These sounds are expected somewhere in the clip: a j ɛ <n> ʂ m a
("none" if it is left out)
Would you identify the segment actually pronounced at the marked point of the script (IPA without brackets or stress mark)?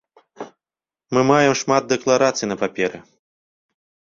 m